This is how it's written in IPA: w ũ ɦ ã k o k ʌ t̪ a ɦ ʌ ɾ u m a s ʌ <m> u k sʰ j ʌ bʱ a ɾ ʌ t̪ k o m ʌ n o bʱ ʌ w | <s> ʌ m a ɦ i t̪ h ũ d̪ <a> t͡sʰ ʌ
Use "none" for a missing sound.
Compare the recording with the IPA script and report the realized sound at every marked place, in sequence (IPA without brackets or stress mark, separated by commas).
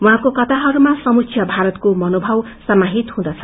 m, s, ʌ